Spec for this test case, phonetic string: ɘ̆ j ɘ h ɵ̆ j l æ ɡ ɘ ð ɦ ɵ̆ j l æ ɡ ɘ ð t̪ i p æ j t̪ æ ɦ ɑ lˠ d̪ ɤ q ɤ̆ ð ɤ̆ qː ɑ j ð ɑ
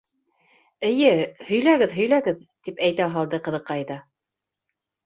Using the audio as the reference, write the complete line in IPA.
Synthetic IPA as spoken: ɘ̆ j ɘ h ɵ̆ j l æ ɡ ɘ ð ɦ ɵ̆ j l æ ɡ ɘ ð t̪ i p æ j t̪ æ ɦ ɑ lˠ d̪ ɤ q ɤ̆ ð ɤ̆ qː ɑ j ð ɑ